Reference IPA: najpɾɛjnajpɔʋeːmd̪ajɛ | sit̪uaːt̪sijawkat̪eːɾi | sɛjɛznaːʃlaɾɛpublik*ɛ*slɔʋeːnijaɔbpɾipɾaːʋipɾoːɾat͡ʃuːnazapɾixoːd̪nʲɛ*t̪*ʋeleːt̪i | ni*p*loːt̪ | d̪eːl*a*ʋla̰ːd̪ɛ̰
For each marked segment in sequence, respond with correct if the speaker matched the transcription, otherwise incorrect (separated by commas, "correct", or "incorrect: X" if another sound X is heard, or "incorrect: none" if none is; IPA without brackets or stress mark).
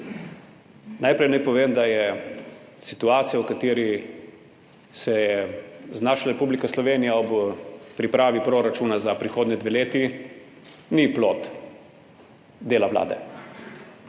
incorrect: a, incorrect: d̪, correct, correct